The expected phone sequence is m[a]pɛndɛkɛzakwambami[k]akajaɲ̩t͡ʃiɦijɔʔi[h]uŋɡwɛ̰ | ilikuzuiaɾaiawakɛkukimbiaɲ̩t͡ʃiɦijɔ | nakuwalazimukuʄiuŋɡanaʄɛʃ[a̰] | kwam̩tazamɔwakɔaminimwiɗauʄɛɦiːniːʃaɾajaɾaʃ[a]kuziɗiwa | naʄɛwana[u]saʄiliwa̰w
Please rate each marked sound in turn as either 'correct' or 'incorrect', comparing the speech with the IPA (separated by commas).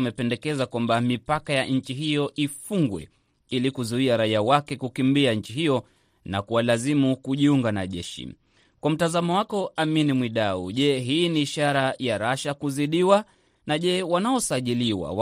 incorrect, incorrect, incorrect, incorrect, correct, incorrect